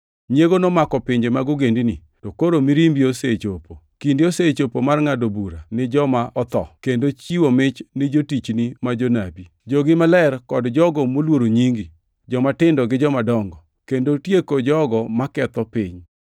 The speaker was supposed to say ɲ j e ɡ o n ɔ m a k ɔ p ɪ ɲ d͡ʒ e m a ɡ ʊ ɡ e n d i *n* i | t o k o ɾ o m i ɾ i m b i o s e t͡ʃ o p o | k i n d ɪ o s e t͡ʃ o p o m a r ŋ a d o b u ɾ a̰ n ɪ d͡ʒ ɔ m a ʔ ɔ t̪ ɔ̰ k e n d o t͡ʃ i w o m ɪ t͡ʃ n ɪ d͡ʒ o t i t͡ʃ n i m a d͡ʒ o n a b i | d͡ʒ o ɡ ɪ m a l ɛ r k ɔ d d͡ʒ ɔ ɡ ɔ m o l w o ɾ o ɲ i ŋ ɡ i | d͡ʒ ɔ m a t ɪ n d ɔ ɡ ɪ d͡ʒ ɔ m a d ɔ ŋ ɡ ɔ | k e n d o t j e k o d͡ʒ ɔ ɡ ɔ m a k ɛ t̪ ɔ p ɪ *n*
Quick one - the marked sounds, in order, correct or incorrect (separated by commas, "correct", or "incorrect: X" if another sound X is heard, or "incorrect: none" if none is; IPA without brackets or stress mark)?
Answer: correct, incorrect: ɲ